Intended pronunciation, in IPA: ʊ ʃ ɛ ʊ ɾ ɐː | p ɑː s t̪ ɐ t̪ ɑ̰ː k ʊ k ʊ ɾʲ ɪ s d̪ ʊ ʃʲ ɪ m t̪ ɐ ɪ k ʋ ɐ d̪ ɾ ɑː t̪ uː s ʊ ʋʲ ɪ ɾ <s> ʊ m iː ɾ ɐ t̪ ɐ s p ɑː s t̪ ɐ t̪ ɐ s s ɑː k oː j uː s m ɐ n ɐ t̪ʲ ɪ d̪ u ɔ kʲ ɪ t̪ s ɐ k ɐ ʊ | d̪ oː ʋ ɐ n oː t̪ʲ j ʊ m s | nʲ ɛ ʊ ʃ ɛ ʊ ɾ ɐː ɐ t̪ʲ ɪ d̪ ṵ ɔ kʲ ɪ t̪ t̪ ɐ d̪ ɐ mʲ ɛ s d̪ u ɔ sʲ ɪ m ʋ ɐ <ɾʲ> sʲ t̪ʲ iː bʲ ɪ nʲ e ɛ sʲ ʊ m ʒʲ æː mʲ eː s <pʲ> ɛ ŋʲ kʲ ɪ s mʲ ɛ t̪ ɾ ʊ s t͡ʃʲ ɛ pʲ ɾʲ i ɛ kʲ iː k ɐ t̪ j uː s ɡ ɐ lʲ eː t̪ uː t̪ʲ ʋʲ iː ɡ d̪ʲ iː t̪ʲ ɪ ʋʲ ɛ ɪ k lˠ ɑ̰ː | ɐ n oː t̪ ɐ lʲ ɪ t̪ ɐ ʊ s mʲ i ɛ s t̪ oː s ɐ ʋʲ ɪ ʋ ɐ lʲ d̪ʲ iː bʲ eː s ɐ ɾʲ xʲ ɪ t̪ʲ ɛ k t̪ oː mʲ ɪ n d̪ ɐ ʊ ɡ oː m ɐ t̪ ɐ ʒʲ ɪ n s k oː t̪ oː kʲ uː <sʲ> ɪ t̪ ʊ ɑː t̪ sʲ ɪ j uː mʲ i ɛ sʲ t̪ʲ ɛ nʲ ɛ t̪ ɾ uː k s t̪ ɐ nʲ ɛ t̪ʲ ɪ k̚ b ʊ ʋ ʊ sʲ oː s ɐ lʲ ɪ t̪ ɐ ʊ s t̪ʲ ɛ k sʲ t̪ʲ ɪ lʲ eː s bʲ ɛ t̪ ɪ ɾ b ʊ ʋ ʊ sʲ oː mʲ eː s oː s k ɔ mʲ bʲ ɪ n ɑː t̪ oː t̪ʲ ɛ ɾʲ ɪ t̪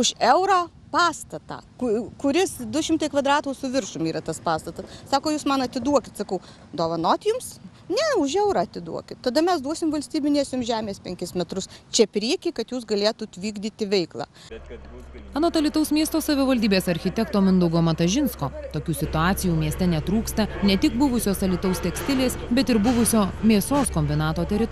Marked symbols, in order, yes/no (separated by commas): no, no, yes, yes